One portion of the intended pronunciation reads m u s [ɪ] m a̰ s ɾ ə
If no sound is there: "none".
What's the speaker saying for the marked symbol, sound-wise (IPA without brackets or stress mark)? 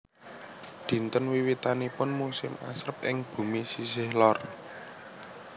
ɪ